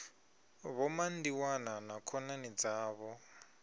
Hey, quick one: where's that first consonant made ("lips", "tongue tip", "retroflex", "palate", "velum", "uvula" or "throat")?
lips